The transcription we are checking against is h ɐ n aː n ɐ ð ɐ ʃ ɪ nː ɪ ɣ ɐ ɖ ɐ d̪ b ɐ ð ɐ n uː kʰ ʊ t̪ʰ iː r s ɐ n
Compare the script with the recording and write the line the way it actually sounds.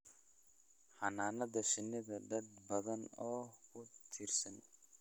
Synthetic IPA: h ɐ n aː n ɐ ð ɐ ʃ ɪ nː ɪ ð ɐ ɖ ɐ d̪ b ɐ ð ɐ n ɔː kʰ ʊ t̪ʰ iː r s ɐ n